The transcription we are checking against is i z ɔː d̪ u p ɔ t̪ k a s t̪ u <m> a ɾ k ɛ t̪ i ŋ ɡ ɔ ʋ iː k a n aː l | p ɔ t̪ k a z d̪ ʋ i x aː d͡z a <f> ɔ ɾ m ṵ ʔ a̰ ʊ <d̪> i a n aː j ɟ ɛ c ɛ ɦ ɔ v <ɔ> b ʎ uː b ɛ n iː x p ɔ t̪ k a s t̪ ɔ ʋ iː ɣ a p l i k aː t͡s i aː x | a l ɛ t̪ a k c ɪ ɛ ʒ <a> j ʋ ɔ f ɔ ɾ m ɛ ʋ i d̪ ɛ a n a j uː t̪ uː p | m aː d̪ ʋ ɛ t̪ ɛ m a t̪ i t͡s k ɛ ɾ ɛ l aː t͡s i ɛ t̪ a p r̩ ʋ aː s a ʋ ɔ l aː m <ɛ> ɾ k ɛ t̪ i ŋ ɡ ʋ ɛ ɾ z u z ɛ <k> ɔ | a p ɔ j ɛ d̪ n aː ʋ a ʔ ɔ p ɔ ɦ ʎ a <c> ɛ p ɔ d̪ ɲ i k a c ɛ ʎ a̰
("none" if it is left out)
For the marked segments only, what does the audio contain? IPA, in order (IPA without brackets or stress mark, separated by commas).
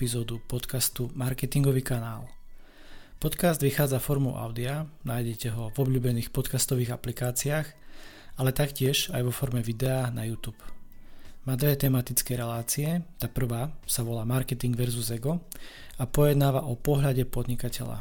m, f, d̪, ɔ, a, a, ɡ, ɟ